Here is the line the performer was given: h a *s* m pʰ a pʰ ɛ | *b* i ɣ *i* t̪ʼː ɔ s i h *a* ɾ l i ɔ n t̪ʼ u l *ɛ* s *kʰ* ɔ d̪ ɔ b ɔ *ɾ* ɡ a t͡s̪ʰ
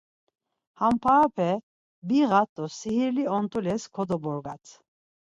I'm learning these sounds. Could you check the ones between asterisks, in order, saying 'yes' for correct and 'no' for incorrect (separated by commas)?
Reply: no, yes, no, no, yes, yes, yes